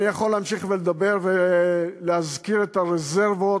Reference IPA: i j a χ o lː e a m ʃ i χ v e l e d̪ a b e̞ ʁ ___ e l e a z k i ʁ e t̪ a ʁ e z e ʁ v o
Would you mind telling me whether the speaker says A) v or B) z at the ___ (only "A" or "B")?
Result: A